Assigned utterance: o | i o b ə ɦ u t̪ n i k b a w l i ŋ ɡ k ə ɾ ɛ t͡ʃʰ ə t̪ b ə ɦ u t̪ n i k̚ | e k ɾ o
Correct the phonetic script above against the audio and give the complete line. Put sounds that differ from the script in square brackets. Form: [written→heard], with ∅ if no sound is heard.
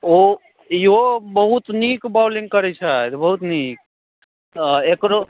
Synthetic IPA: o | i o b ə ɦ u t̪ n i k b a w l i ŋ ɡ k ə ɾ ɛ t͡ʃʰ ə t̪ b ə ɦ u t̪ n i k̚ | e k ɾ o